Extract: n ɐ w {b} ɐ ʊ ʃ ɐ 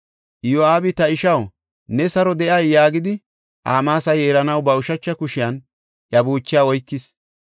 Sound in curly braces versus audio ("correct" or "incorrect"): correct